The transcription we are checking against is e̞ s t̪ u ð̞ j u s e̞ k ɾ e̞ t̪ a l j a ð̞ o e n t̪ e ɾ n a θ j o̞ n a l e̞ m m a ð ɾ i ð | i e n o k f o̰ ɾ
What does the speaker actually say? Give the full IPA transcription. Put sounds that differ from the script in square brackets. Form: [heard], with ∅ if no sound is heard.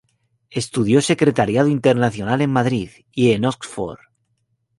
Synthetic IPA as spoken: e̞ s t̪ u ð̞ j [o] s e̞ k ɾ e̞ t̪ a [ɾ] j a ð̞ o [i] n t̪ e ɾ n a θ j o̞ n a l e̞ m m a ð ɾ i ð | i e n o k f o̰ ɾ